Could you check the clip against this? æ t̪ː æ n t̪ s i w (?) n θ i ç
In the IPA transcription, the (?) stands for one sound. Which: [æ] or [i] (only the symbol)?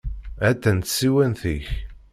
æ